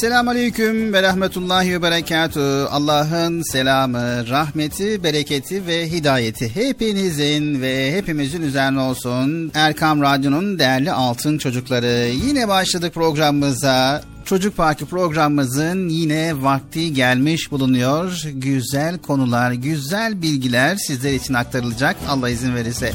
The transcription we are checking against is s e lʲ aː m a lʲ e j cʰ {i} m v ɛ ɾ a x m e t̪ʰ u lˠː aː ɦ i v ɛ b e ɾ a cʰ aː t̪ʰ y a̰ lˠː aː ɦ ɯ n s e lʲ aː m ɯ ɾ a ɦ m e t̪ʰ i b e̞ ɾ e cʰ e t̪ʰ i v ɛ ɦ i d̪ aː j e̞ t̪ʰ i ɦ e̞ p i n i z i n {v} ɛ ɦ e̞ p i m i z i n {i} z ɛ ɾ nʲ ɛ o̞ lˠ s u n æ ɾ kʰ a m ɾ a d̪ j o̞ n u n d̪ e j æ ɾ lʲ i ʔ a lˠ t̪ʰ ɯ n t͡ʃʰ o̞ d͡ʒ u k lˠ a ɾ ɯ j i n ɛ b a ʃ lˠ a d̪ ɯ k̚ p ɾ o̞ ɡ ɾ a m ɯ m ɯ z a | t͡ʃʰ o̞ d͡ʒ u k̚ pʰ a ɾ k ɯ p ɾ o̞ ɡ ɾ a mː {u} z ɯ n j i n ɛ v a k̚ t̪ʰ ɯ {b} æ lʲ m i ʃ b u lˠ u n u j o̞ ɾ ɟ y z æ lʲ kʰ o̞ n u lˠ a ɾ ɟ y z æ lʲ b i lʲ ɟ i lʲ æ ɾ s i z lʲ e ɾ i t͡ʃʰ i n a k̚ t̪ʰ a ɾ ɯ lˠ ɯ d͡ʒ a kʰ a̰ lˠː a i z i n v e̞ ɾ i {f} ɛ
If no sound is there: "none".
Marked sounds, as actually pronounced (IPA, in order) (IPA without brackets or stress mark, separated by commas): y, v, y, ɯ, ɟ, s